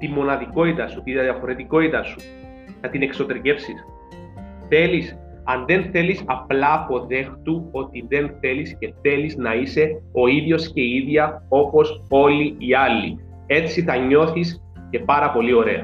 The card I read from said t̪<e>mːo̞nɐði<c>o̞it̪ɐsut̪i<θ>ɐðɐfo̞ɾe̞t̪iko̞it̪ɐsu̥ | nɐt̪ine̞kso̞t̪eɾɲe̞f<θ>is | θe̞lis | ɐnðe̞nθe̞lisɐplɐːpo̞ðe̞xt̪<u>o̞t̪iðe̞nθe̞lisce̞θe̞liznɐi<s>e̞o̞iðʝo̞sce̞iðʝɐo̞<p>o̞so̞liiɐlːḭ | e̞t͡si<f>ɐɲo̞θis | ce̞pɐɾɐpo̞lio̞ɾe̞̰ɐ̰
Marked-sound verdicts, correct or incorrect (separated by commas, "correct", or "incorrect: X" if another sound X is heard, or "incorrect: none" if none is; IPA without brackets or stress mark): incorrect: i, incorrect: k, incorrect: ð, incorrect: s, correct, correct, correct, incorrect: θ